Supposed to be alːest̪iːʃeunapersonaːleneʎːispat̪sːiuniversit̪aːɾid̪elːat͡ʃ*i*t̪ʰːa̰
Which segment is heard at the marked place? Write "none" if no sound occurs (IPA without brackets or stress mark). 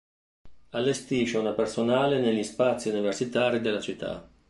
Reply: i